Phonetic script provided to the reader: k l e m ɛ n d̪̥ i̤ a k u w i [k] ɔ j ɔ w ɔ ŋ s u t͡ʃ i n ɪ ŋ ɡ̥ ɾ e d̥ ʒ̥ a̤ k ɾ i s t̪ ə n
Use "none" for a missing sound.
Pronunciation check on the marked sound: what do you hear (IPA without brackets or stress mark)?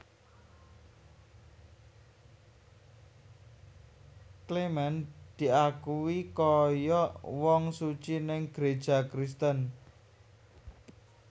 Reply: k